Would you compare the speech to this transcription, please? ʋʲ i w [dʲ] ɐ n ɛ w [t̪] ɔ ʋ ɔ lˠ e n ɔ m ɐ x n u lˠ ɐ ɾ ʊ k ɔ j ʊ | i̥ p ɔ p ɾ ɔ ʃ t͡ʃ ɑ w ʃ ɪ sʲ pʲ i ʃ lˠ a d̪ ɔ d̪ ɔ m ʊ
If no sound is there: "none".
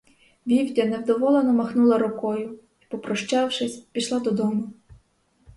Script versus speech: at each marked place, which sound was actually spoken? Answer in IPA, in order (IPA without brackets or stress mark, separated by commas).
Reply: dʲ, d̪